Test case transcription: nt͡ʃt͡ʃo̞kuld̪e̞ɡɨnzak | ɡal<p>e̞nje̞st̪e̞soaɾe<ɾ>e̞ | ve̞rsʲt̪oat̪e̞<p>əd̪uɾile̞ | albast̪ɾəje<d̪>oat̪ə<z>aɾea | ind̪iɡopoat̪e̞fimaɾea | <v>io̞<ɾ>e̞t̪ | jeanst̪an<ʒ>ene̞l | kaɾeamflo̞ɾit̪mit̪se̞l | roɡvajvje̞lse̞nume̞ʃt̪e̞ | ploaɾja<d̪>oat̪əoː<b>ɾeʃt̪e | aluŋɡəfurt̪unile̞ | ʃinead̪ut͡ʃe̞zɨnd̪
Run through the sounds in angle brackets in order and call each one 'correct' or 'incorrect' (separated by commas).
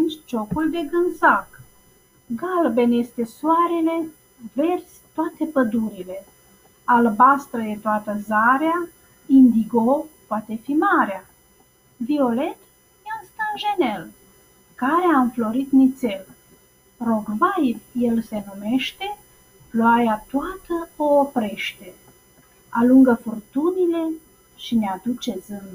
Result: incorrect, incorrect, correct, incorrect, correct, correct, incorrect, correct, incorrect, incorrect